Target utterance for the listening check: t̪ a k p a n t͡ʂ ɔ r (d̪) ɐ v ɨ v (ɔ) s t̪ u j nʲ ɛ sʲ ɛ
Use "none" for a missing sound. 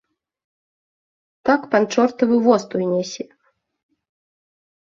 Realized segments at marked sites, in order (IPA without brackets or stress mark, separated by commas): t̪, ɔ